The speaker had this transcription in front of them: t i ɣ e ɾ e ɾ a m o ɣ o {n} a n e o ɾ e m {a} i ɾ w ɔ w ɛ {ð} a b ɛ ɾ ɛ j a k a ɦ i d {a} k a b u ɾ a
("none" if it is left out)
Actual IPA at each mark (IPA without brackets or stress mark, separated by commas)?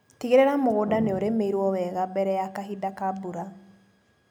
d, e, ɣ, a